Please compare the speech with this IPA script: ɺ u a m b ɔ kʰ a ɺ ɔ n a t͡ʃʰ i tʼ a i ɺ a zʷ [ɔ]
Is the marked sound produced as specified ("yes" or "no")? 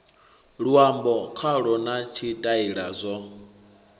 yes